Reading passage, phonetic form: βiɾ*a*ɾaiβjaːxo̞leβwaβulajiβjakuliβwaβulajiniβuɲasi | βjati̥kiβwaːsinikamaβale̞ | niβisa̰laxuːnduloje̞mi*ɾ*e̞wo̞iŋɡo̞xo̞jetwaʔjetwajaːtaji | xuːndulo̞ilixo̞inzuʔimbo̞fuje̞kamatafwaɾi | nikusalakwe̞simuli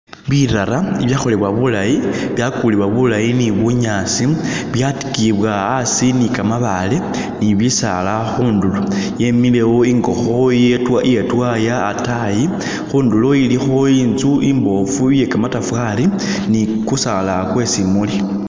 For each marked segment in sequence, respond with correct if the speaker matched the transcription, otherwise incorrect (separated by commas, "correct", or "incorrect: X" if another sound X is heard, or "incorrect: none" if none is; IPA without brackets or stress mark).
correct, incorrect: l